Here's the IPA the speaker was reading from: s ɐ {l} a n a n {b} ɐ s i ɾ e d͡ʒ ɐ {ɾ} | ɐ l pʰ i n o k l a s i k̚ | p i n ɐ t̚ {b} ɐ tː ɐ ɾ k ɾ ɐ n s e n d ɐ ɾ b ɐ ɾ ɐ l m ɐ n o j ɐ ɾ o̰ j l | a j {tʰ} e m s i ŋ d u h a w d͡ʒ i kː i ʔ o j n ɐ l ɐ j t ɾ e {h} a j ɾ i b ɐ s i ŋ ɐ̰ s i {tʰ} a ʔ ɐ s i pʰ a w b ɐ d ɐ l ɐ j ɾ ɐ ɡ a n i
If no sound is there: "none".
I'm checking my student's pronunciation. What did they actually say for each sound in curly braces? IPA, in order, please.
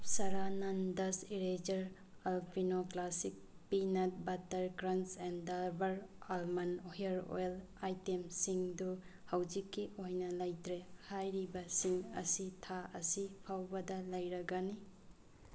ɾ, d, ɾ, b, t, h, tʰ

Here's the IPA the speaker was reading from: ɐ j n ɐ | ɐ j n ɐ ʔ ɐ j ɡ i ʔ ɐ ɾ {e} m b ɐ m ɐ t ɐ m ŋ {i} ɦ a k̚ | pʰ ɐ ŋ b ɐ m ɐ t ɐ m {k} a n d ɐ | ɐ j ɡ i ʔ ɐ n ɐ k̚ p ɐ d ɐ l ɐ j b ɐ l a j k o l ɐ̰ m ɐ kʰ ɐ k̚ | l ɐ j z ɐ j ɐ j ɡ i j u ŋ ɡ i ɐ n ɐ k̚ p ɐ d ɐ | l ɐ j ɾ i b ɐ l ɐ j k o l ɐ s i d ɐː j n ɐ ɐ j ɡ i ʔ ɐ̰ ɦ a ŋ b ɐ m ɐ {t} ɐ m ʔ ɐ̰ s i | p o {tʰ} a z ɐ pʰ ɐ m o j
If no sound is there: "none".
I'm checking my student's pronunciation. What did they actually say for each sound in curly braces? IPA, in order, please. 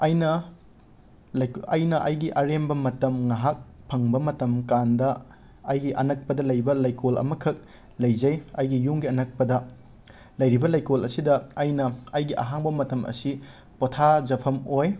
e, a, k, t, tʰ

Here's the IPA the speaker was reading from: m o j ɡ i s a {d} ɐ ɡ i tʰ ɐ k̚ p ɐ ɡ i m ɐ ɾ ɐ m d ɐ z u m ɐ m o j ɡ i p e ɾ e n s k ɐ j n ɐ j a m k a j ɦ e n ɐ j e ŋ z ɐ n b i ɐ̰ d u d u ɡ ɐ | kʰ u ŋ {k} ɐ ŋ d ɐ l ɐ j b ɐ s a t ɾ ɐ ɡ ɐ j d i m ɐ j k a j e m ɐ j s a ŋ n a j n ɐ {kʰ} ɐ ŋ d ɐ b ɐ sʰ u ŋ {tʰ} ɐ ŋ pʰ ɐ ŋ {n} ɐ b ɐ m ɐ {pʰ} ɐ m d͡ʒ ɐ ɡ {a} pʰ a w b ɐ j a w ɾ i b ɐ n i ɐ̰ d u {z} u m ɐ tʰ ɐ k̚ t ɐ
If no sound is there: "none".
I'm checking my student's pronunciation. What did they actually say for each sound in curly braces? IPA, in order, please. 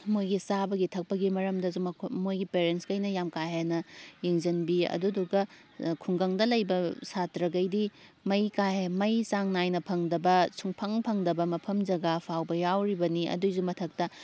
b, ɡ, pʰ, pʰ, d, pʰ, a, z

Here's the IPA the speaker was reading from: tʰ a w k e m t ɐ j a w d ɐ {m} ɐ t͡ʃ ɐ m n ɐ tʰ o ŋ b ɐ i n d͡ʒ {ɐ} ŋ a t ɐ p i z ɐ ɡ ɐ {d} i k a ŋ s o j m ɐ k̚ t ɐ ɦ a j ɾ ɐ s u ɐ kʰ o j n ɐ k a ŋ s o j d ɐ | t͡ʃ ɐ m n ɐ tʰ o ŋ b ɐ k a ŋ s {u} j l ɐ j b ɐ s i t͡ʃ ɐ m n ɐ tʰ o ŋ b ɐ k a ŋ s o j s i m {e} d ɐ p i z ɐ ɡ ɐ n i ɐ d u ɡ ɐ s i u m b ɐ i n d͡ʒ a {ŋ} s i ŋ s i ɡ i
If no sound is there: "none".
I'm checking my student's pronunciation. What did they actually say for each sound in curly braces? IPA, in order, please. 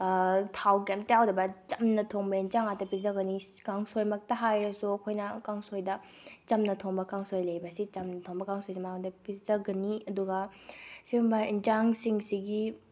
b, a, n, o, a, ŋ

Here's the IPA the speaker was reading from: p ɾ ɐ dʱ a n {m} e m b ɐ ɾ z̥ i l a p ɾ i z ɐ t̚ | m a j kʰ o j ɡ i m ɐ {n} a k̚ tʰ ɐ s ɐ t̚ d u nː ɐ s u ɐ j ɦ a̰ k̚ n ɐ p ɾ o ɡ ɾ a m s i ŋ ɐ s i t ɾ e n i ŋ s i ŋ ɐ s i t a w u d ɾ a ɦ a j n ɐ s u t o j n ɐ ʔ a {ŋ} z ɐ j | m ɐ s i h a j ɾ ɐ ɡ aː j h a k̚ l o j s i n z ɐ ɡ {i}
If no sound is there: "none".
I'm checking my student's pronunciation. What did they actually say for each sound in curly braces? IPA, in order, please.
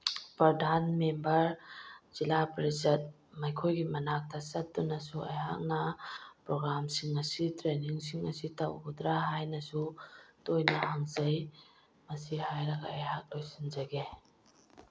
m, n, ŋ, e

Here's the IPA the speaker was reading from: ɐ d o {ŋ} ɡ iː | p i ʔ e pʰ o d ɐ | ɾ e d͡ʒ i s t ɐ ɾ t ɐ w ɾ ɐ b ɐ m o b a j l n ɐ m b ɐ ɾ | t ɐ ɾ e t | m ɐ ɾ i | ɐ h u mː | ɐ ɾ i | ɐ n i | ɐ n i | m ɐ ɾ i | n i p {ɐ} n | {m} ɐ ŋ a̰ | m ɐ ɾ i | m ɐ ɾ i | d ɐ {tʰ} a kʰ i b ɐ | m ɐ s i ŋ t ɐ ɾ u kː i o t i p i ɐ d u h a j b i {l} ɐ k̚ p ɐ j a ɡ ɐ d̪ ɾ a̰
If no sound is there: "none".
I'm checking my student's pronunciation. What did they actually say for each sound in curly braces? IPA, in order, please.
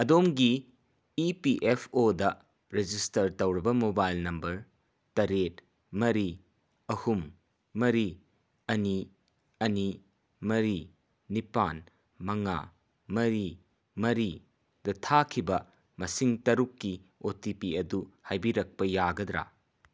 m, a, m, tʰ, ɾ

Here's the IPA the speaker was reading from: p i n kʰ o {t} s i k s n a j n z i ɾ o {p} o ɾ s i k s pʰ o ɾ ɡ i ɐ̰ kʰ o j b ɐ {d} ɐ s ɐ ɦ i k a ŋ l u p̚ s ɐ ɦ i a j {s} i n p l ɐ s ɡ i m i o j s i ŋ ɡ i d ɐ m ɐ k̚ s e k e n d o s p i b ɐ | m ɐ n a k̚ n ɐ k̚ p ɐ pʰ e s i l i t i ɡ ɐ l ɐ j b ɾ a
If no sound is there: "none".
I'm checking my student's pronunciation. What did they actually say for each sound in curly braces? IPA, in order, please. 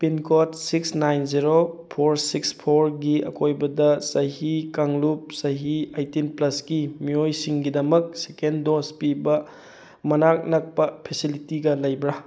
t, pʰ, d, t

